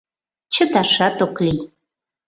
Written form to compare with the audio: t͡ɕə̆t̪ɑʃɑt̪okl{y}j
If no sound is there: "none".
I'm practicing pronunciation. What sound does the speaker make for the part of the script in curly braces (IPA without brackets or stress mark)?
i